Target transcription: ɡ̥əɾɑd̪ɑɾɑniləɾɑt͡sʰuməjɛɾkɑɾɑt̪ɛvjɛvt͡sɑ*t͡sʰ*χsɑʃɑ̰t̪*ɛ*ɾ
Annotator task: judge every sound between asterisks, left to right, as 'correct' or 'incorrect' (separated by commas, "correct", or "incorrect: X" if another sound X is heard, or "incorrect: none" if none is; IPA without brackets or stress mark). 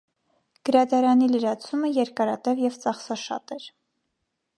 incorrect: none, correct